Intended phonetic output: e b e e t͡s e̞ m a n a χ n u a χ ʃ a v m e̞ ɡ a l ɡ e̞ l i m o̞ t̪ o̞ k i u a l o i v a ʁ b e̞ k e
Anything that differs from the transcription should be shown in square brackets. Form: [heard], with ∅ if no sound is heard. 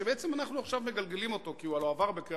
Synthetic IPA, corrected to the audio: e b e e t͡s e̞ m a n a χ n u a χ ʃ a v m e̞ ɡ a l ɡ e̞ l i m o̞ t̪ o̞ k i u a l o [a] v a ʁ b e̞ k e